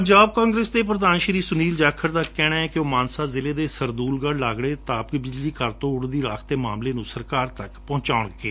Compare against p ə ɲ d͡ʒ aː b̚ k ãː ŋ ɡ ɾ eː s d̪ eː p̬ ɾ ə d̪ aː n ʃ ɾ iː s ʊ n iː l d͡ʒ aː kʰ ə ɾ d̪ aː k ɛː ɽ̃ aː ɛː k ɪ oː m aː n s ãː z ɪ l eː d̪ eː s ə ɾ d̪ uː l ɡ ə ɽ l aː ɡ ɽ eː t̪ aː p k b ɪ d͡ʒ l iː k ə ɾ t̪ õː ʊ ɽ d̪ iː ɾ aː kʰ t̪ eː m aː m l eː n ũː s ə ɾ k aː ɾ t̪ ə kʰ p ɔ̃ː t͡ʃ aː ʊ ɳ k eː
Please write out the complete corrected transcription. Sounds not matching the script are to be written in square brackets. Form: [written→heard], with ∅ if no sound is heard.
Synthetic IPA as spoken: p ə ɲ d͡ʒ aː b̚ k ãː ŋ ɡ ɾ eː s d̪ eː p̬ ɾ ə d̪ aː n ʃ ɾ iː s ʊ n iː l d͡ʒ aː kʰ ə ɾ d̪ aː k ɛː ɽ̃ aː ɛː k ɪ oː m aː n s [ãː→aː] z ɪ l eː d̪ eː s ə ɾ d̪ uː l ɡ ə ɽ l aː ɡ ɽ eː t̪ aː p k b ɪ d͡ʒ l iː k ə ɾ t̪ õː ʊ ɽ d̪ iː ɾ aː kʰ t̪ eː m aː m l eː n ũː s ə ɾ k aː ɾ t̪ ə [kʰ→k] p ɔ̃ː t͡ʃ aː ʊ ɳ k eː